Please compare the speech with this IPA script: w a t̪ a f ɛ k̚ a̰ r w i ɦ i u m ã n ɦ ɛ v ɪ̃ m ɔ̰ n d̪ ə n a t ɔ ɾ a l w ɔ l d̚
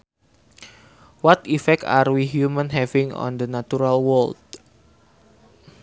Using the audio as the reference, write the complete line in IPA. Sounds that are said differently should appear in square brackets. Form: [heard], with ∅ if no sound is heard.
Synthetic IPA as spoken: w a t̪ [i] f ɛ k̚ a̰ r w i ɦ [j] u m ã n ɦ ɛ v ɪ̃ [ŋ] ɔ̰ n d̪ ə n a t [u] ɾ a l w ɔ l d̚